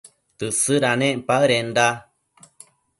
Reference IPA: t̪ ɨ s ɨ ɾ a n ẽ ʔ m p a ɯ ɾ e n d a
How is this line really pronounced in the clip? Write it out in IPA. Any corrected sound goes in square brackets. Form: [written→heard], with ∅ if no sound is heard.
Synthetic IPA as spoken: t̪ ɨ s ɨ ɾ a n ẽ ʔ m p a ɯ ɾ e n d a